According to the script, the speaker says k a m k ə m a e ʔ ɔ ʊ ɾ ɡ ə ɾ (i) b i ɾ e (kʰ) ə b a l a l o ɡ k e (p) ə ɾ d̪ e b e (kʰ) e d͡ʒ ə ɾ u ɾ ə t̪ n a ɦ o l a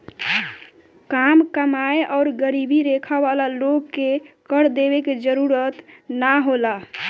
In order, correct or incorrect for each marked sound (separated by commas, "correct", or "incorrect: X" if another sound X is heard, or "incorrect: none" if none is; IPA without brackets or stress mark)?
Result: correct, correct, incorrect: k, incorrect: k